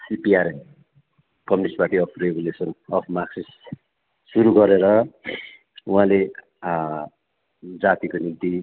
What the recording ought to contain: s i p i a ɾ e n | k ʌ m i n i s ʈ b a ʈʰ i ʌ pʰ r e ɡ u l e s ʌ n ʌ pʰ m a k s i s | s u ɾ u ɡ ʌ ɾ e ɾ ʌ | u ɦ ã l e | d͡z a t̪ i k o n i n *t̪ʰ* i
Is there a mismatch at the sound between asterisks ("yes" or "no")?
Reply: yes